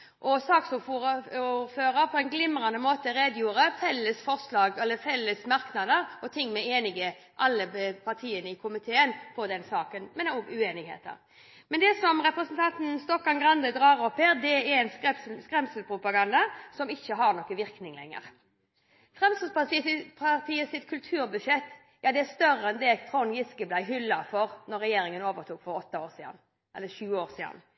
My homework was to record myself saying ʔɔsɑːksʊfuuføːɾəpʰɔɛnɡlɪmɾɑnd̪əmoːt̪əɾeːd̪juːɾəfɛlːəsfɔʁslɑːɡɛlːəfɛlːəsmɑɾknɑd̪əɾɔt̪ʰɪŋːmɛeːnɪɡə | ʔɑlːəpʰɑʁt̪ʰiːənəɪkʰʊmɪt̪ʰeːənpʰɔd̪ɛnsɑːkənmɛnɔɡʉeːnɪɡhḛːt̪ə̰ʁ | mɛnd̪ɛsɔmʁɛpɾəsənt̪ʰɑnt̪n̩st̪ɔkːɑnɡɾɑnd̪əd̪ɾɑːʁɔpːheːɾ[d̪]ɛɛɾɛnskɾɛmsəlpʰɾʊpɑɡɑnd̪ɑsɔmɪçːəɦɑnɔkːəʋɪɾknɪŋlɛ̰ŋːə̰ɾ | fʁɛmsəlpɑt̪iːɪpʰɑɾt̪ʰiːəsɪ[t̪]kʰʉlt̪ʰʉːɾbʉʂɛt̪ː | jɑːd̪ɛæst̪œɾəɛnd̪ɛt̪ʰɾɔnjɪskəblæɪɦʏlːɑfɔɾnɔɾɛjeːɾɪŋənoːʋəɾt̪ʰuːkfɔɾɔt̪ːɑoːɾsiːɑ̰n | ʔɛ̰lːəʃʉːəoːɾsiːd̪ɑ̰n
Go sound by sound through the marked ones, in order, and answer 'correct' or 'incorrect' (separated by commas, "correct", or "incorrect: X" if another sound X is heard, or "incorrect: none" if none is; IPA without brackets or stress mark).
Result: correct, correct